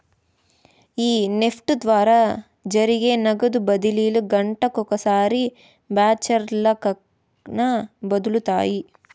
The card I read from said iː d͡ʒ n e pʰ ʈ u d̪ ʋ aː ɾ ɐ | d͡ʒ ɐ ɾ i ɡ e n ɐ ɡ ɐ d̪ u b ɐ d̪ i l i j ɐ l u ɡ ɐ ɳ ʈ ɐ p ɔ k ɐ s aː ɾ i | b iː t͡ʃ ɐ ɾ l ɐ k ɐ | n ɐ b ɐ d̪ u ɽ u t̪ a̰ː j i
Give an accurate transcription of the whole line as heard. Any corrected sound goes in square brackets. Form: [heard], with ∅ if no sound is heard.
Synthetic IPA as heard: iː [∅] n e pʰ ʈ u d̪ ʋ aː ɾ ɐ | d͡ʒ ɐ ɾ i ɡ e n ɐ ɡ ɐ d̪ u b ɐ d̪ i l i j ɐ l u ɡ ɐ ɳ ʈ ɐ [k] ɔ k ɐ s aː ɾ i | b [aː] t͡ʃ ɐ ɾ l ɐ k ɐ | n ɐ b ɐ d̪ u [l] u t̪ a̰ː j i